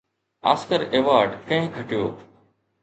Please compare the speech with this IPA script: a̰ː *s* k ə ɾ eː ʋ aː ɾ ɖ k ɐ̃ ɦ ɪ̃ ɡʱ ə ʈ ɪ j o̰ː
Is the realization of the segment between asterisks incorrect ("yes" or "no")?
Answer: no